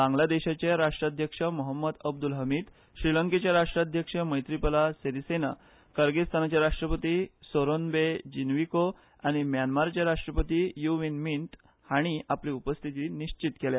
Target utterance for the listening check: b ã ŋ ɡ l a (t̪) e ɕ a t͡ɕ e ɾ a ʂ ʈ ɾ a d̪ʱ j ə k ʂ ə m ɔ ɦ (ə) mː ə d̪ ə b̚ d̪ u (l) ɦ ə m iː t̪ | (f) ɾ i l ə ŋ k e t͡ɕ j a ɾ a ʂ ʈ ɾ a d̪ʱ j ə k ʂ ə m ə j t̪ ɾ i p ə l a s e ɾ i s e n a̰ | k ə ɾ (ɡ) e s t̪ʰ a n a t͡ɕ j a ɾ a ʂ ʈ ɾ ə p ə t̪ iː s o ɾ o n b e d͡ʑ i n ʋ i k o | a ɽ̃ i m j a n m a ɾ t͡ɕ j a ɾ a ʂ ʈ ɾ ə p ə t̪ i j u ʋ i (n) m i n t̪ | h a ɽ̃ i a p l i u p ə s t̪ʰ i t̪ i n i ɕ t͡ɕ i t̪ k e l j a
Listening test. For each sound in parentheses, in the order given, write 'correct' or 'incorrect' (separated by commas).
incorrect, correct, correct, incorrect, correct, correct